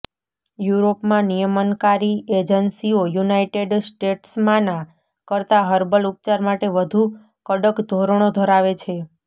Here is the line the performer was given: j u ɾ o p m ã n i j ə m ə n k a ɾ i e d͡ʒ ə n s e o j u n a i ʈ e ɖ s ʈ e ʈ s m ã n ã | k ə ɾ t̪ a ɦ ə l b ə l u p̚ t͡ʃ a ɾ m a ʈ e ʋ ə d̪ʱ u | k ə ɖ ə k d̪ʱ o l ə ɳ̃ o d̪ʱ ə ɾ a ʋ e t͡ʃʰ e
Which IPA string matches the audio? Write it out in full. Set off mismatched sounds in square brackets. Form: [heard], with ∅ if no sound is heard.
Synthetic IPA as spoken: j u ɾ o p m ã n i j ə m ə n k a ɾ i e d͡ʒ ə n s [i] o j u n a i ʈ e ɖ s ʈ e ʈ s m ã n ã | k ə ɾ t̪ a ɦ ə [ɾ] b ə l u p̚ t͡ʃ a ɾ m a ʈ e ʋ ə d̪ʱ u | k ə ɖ ə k d̪ʱ o [ɾ] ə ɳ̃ o d̪ʱ ə ɾ a ʋ e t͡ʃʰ e